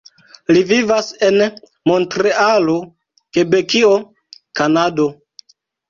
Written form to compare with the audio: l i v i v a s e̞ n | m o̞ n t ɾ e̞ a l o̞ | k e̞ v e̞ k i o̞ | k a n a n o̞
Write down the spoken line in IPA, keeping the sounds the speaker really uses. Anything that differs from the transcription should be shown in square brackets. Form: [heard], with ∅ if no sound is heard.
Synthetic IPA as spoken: l i v i v a s e̞ n | m o̞ n t ɾ e̞ a l o̞ | k e̞ [b] e̞ k i o̞ | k a n a [d] o̞